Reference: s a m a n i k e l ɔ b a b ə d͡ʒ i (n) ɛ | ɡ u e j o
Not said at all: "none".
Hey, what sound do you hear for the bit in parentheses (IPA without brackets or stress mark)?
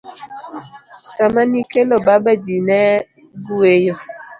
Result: n